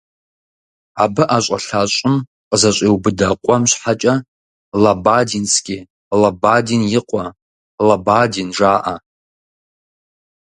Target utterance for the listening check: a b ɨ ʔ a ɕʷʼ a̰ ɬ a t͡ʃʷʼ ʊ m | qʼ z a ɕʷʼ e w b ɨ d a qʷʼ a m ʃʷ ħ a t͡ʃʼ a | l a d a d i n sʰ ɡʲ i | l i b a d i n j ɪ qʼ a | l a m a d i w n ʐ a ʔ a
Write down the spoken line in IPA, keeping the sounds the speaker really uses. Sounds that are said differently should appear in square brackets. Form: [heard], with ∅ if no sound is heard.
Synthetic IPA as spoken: a b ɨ ʔ a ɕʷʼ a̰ ɬ a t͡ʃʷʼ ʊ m | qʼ z a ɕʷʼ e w b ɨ d a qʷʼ a m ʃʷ ħ a t͡ʃʼ a | l a [b] a d i n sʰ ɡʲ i | l [a] b a d i n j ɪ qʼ a | l a [b] a d i [∅] n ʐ a ʔ a